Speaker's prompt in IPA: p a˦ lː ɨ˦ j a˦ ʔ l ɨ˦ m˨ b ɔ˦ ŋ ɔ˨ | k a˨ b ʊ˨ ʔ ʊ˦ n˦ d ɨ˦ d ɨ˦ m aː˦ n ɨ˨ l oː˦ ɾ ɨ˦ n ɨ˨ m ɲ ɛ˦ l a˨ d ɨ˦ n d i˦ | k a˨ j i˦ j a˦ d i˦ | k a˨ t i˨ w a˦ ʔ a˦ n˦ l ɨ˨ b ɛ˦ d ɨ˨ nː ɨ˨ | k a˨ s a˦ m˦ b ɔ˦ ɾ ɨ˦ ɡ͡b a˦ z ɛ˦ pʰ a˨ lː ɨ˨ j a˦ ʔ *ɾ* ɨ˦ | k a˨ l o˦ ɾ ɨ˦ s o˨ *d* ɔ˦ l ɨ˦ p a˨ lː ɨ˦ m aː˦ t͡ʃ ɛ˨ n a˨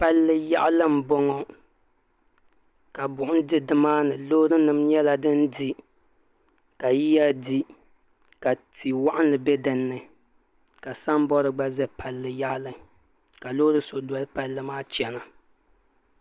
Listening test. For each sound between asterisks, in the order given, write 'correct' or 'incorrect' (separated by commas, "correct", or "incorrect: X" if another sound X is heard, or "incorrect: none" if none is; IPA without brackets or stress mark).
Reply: incorrect: l, correct